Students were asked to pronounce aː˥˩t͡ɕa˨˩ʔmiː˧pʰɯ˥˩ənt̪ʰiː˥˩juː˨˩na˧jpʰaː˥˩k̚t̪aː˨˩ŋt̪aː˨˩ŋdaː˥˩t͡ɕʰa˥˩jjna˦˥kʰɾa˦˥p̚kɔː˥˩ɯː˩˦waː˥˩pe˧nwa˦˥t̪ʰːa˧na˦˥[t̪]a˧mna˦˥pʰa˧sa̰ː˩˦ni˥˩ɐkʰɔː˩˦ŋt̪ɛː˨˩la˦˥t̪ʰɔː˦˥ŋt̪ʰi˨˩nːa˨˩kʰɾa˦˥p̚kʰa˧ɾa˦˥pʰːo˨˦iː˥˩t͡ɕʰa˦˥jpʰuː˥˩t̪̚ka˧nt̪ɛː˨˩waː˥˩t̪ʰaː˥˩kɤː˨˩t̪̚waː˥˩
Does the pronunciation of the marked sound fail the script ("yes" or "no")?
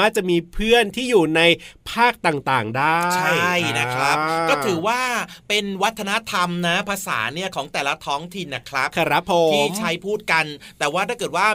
yes